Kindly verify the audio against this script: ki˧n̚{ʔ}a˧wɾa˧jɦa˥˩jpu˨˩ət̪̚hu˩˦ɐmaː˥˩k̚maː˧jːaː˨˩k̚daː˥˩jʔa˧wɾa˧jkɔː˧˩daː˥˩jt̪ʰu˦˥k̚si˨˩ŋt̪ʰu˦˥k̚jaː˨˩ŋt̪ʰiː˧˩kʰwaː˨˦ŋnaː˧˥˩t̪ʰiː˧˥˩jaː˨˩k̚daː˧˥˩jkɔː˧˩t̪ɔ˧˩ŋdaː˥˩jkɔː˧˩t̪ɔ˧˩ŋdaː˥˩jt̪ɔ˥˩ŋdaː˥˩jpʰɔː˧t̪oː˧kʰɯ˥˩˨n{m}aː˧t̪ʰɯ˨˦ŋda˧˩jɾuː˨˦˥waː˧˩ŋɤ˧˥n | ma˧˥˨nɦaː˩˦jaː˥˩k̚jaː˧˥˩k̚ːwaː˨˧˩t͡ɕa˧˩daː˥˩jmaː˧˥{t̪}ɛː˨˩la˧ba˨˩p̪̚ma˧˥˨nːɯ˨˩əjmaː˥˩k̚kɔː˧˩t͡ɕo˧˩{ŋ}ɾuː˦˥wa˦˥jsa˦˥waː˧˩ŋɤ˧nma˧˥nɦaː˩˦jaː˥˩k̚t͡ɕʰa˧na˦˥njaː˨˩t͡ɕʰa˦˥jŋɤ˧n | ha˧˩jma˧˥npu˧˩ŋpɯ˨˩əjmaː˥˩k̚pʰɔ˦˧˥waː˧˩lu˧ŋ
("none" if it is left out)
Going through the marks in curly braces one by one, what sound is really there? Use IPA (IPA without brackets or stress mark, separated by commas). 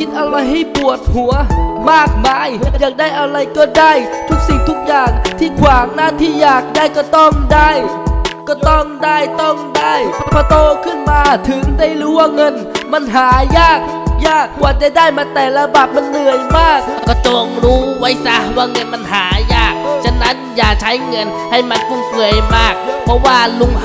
ʔ, m, t̪, ŋ